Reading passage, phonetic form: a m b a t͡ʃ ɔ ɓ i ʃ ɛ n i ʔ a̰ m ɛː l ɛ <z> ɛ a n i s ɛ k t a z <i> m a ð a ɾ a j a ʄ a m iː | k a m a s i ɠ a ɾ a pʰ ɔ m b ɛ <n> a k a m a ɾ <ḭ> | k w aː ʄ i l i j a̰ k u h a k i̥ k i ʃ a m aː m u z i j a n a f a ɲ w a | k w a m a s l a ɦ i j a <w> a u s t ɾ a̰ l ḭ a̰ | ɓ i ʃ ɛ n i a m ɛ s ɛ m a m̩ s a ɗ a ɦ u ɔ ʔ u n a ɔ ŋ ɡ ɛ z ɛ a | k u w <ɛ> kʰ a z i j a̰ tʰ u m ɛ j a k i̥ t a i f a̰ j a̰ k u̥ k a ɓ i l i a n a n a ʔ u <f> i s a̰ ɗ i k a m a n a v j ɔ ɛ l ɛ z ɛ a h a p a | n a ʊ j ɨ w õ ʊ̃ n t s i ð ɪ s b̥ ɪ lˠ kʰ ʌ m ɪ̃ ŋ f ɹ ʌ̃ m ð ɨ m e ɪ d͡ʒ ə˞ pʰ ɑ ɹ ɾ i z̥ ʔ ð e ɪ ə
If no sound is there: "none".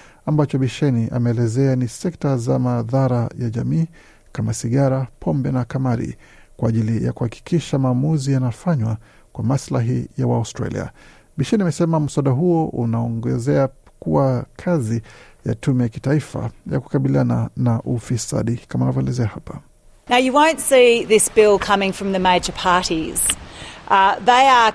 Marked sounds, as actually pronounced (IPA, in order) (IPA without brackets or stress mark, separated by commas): z, a, n, ḭ, w, a, f